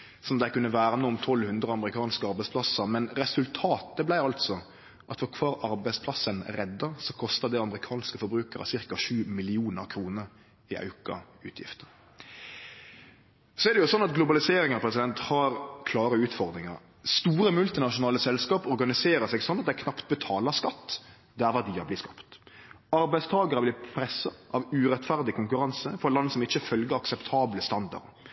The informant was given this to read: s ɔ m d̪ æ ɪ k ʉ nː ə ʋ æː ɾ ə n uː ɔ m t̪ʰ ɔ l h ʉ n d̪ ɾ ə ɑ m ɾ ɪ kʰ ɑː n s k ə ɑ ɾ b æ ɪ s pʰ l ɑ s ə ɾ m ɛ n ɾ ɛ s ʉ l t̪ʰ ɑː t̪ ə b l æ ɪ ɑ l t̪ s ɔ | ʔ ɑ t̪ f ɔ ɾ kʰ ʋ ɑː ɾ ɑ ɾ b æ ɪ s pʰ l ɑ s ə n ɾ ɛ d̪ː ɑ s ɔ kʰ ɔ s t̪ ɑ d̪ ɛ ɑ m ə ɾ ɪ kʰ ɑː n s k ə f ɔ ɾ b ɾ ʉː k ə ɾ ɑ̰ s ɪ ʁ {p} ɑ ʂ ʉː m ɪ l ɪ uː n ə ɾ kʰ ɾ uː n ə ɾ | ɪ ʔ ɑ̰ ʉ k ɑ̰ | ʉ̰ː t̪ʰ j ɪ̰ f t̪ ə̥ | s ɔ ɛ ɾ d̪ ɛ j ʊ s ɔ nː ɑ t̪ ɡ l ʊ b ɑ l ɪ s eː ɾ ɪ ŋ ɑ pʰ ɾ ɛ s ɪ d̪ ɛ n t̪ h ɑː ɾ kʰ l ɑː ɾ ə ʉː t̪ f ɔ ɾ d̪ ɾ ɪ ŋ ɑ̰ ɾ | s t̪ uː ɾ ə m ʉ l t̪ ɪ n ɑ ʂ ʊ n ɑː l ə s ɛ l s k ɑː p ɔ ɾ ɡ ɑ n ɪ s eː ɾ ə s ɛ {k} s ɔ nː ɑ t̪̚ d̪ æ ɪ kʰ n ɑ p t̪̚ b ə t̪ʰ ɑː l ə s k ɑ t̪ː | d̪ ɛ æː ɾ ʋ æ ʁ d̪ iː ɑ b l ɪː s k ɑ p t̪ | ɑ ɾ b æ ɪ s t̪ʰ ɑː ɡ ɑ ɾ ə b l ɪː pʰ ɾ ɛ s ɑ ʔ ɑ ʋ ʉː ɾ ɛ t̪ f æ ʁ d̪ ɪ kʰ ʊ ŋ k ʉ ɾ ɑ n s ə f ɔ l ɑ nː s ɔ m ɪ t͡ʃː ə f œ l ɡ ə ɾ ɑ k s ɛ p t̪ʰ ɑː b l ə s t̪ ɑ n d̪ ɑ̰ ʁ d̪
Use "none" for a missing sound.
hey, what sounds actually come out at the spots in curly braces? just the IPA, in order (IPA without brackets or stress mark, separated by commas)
k, ɡ